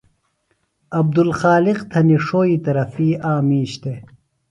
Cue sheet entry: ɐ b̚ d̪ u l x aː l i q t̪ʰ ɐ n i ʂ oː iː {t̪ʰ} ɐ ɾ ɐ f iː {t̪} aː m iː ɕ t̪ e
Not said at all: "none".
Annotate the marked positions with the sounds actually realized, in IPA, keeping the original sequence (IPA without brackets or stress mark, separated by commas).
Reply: t̪, none